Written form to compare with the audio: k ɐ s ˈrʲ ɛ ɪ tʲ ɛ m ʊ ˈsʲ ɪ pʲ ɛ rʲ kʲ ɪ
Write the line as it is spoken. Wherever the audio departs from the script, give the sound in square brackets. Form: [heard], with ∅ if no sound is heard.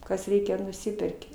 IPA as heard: k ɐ s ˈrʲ ɛ ɪ [kʲ] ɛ [n] ʊ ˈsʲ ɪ pʲ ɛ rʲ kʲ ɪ